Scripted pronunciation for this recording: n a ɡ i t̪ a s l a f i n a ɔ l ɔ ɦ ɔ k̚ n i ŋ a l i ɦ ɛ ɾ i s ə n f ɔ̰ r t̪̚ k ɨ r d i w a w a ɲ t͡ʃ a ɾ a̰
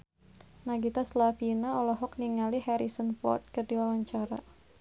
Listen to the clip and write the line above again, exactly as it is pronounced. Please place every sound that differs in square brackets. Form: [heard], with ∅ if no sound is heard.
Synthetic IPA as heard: n a ɡ i t̪ a s l a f i n a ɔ l ɔ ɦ ɔ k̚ n i ŋ a l i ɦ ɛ ɾ i s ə n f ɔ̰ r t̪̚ k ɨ r d i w a w a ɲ t͡ʃ a ɾ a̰